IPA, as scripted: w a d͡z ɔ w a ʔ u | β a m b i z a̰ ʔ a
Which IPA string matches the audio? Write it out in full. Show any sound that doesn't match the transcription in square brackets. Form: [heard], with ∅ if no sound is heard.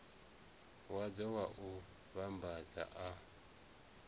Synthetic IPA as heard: w a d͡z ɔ w a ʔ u | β a m b [a] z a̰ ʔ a